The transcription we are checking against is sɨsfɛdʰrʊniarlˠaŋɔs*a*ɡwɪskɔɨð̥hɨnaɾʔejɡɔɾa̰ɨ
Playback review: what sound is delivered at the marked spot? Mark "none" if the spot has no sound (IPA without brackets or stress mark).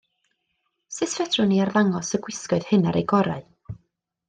ə